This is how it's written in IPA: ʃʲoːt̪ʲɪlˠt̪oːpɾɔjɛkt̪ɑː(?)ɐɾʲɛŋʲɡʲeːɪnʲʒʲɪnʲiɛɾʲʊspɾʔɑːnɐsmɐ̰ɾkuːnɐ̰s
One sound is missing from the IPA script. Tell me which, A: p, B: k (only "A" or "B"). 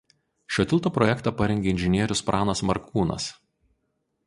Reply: A